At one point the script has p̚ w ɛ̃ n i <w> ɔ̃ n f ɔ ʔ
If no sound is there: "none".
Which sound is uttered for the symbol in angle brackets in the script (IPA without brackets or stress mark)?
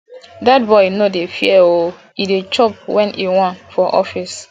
w